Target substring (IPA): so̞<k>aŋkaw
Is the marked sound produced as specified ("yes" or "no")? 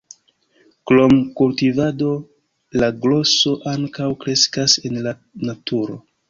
no